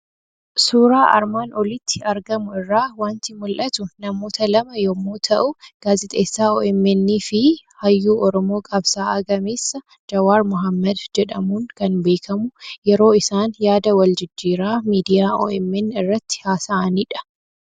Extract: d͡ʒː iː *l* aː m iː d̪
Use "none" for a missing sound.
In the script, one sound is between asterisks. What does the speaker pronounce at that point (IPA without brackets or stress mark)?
ɾ